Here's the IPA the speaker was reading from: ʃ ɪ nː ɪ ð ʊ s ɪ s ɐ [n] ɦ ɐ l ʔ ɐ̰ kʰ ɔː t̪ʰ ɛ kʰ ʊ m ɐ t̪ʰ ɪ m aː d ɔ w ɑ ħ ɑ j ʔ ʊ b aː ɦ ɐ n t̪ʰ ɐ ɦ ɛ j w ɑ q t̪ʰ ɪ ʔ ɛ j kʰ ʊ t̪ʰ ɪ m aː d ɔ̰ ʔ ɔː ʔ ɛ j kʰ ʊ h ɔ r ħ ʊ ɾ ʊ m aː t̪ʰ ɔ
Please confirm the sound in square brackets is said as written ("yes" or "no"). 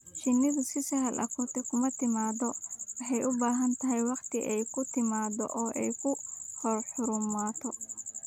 no